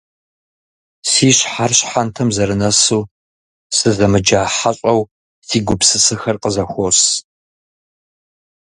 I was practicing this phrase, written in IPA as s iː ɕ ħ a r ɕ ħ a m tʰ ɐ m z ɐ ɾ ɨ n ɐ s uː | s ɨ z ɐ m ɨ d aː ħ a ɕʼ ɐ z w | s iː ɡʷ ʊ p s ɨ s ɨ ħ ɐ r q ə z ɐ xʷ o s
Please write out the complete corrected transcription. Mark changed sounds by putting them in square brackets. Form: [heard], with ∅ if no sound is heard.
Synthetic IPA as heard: s iː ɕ ħ a r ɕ ħ a [n] tʰ ɐ m z ɐ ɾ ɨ n ɐ s uː | s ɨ z ɐ m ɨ [d͡ʒ] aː ħ a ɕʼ ɐ [∅] w | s iː ɡʷ ʊ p s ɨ s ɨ [x] ɐ r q ə z ɐ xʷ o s